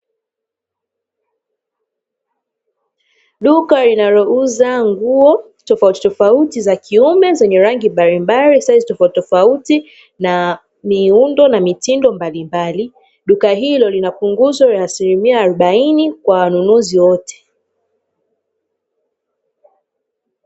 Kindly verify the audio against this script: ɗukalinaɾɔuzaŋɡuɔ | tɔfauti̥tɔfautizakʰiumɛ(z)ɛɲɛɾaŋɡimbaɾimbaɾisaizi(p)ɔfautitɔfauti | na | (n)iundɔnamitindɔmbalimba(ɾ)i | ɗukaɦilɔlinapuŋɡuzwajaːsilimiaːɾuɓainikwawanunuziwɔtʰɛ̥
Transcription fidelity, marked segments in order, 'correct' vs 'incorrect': correct, incorrect: t, incorrect: m, incorrect: l

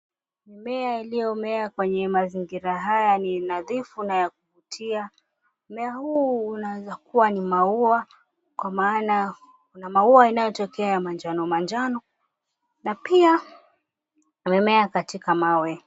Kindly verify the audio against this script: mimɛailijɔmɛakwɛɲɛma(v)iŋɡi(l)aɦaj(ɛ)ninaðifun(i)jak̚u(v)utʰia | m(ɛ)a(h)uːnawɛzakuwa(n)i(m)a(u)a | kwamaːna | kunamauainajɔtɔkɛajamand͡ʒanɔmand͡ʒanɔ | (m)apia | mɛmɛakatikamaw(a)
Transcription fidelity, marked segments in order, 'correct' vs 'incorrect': incorrect: z, incorrect: ɾ, incorrect: a, incorrect: a, correct, correct, correct, correct, correct, correct, incorrect: n, incorrect: ɛ

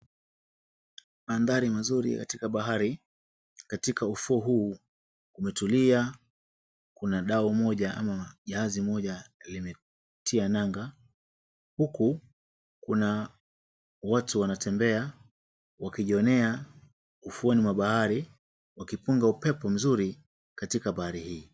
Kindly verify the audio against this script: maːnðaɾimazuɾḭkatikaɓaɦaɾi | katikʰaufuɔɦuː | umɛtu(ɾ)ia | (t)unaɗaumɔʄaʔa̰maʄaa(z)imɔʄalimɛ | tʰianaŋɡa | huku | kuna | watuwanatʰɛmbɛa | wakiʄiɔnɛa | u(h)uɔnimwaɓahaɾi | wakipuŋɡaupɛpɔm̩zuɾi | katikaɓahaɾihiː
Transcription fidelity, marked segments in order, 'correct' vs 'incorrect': incorrect: l, incorrect: k, correct, incorrect: f

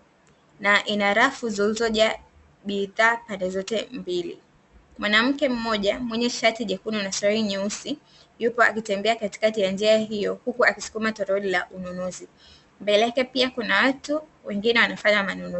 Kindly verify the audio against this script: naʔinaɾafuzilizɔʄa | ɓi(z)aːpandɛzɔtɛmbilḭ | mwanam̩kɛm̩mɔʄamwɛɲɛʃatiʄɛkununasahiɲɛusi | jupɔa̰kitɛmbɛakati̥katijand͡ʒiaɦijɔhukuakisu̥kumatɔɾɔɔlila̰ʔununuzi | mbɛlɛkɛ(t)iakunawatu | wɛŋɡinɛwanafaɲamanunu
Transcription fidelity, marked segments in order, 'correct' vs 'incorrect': incorrect: ð, incorrect: p

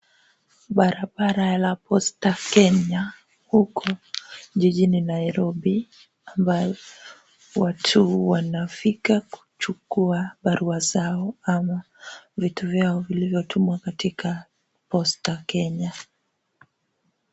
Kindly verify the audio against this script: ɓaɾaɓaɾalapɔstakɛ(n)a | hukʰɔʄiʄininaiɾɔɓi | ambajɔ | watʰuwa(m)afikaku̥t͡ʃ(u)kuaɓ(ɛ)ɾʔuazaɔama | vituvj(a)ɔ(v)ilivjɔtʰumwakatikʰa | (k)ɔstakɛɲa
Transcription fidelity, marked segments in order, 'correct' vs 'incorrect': incorrect: ɲ, incorrect: n, correct, incorrect: a, correct, correct, incorrect: p

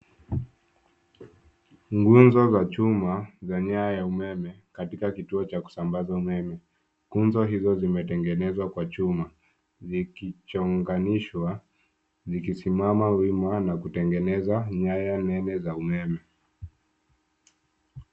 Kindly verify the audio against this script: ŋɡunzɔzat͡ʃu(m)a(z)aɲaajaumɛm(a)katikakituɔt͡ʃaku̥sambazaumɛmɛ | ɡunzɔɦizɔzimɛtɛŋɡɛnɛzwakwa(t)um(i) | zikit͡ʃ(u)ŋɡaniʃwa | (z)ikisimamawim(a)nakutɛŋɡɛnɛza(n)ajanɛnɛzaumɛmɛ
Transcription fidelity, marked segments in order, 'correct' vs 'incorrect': correct, correct, incorrect: ɛ, incorrect: t͡ʃ, incorrect: a, incorrect: ɔ, correct, correct, incorrect: ɲ

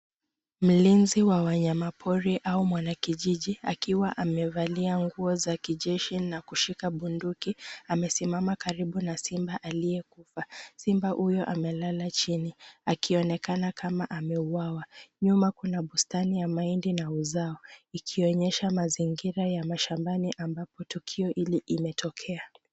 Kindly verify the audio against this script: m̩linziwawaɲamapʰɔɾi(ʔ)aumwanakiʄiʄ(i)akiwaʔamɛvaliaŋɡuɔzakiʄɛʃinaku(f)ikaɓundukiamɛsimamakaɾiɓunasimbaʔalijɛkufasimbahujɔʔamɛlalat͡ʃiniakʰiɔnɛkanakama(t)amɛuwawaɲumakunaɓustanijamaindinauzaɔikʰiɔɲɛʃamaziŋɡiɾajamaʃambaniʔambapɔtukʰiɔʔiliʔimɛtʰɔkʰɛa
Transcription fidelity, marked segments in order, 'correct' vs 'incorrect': correct, correct, incorrect: ʃ, incorrect: ʔ

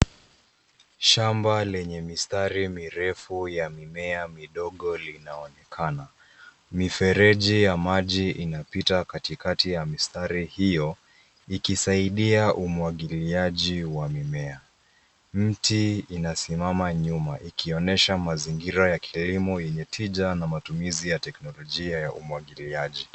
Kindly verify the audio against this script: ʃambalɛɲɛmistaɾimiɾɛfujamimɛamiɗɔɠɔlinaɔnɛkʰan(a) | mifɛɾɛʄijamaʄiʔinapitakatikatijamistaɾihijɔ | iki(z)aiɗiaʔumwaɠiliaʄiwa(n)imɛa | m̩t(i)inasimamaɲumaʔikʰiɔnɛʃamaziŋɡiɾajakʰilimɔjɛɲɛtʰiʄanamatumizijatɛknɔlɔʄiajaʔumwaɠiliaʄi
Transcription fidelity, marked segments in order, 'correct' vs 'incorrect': correct, incorrect: s, incorrect: m, correct

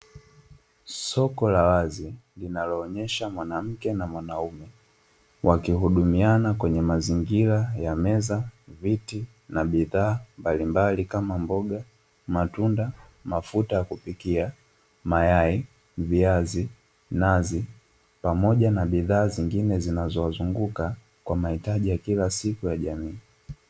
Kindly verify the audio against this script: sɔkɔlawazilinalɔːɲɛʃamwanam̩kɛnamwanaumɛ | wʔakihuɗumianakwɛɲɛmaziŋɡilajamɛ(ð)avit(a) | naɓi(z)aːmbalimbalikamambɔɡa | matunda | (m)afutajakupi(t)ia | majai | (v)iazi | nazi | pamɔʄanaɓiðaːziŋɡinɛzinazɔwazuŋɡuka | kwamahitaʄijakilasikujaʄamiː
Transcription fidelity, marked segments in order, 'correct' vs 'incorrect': incorrect: z, incorrect: i, incorrect: ð, correct, incorrect: k, correct

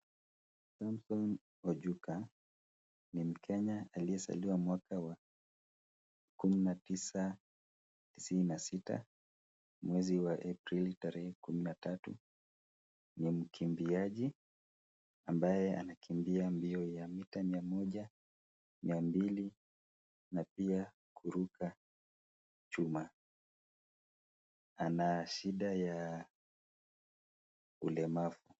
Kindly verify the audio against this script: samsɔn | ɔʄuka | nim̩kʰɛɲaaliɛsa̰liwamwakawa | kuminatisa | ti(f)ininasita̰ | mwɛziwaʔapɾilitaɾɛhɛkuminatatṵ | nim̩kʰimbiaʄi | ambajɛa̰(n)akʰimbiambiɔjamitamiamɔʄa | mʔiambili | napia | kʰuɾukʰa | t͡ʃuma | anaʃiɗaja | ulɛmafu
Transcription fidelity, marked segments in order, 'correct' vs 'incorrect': incorrect: s, correct

